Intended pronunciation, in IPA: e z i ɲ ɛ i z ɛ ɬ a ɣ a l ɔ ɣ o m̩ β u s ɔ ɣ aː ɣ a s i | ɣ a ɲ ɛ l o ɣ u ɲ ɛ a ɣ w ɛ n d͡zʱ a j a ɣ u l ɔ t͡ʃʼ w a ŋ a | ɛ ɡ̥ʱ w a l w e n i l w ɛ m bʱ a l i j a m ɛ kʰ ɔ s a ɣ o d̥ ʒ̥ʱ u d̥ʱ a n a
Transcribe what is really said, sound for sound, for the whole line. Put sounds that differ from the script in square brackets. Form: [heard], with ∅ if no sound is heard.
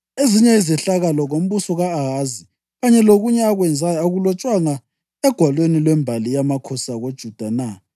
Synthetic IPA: e z i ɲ ɛ i z ɛ ɬ a ɣ a l ɔ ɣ o m̩ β u s ɔ ɣ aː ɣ a [z] i | ɣ a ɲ ɛ l o ɣ u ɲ ɛ a ɣ w ɛ n d͡zʱ a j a ɣ u l ɔ t͡ʃʼ w a ŋ a | ɛ ɡ̥ʱ w a l w e n i l w ɛ m bʱ a l i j a m [a] kʰ ɔ s a ɣ o d̥ ʒ̥ʱ u d̥ʱ a n a